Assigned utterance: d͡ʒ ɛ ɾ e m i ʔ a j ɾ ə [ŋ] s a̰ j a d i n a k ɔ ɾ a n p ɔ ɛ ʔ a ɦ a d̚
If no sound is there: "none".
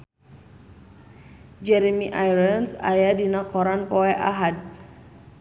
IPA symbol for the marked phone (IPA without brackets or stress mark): n